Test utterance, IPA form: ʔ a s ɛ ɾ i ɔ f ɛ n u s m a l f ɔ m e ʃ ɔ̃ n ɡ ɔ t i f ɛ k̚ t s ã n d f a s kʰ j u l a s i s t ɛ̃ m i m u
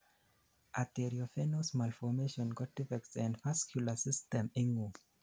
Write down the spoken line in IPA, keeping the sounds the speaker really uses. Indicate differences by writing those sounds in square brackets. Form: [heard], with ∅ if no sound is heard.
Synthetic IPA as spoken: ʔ a [t] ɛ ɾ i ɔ f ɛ n [o] s m a l f ɔ m e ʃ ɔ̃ n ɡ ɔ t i f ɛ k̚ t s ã n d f a s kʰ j u l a s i s t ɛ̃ m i [ŋ] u

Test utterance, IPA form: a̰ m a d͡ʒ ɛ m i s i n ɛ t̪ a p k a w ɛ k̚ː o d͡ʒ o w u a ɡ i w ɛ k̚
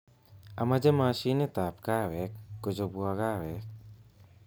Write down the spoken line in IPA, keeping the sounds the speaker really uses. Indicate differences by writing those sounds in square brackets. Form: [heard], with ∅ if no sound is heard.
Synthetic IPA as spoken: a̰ m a d͡ʒ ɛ m [a] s i n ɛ t̪ a p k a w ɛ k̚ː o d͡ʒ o [b] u a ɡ [a] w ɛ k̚

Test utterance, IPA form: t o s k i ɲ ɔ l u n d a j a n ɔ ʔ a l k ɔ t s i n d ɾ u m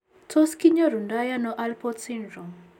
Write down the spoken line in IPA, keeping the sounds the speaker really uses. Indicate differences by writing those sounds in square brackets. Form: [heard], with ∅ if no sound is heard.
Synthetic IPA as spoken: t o s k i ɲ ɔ [ɾ] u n d a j a n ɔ ʔ a l [p] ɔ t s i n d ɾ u m

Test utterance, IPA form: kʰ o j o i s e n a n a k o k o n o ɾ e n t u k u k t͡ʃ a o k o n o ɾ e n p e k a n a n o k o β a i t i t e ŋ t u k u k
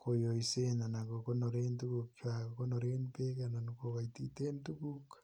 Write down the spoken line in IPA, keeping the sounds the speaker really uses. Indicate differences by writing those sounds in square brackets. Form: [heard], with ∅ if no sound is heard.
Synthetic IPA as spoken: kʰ o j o i s e n a n a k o k o n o ɾ e n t u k u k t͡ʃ a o k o n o ɾ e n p e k a n a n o k o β a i t i t e [n] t u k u k

